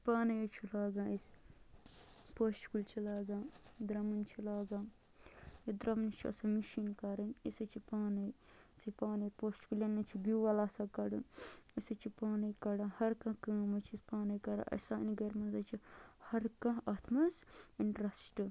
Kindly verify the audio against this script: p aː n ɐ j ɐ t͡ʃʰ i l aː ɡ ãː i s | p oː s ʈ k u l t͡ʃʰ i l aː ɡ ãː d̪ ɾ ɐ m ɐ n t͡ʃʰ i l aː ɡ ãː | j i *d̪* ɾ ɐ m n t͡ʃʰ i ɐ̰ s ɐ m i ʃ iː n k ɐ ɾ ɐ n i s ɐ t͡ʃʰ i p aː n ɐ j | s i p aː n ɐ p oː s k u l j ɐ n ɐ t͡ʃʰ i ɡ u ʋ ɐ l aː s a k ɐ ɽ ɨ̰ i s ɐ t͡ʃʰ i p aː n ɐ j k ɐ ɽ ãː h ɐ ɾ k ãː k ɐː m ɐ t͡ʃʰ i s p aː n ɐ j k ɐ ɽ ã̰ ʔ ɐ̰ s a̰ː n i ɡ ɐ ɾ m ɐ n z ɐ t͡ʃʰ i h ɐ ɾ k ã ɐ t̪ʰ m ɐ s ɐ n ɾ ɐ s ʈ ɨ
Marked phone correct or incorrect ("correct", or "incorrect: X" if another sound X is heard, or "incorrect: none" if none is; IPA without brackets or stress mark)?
correct